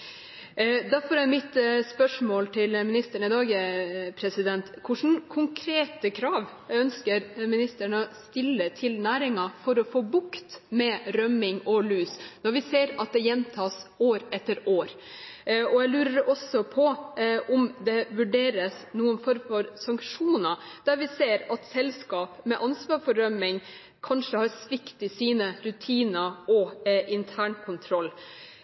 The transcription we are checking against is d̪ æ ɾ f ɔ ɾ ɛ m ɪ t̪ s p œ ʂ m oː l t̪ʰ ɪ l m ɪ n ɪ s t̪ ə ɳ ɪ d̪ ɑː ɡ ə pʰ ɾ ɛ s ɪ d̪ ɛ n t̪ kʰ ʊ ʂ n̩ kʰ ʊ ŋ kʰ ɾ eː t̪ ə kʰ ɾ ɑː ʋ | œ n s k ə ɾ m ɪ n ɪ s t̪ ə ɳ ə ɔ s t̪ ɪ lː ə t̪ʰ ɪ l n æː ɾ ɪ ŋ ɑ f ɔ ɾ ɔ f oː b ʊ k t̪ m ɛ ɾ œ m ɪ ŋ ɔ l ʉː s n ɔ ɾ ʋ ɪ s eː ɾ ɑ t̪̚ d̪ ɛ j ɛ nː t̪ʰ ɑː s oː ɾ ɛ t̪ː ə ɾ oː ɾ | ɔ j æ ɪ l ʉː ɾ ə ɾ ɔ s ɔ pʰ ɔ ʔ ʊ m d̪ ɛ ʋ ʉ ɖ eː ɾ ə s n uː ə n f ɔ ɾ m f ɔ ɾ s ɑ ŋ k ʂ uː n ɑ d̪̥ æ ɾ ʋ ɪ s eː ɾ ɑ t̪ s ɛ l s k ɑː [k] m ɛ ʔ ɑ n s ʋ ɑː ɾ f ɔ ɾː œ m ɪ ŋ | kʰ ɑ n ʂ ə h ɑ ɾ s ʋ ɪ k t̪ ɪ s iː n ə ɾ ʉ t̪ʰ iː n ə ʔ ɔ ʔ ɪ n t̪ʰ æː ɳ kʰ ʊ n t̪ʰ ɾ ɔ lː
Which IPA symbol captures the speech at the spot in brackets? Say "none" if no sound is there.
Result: p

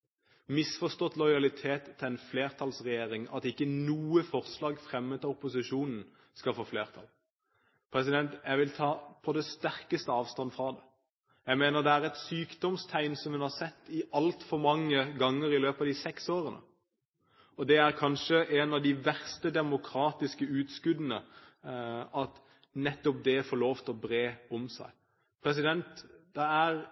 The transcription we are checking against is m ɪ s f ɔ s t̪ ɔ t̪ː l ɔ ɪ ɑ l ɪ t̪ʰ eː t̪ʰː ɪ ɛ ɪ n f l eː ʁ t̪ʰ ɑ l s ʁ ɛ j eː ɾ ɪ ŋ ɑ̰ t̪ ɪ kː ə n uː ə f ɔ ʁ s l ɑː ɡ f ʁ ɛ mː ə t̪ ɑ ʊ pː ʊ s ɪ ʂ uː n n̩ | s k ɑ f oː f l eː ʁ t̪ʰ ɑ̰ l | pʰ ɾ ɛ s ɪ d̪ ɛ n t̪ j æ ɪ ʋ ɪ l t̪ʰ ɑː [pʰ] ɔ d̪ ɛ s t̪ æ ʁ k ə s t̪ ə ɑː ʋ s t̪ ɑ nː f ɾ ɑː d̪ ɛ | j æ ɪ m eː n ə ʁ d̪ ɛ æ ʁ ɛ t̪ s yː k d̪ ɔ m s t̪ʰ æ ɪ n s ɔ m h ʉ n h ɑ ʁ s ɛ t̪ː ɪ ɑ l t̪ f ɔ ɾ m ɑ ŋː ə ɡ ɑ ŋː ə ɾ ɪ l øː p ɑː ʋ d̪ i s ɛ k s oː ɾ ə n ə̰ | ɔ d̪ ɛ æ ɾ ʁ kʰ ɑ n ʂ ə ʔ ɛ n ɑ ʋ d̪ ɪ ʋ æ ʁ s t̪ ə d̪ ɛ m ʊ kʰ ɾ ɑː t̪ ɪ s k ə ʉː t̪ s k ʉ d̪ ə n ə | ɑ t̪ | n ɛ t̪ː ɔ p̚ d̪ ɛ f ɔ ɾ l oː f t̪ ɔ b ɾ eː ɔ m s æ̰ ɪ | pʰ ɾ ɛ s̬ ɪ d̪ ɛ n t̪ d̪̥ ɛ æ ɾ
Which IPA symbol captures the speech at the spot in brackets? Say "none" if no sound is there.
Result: pʰ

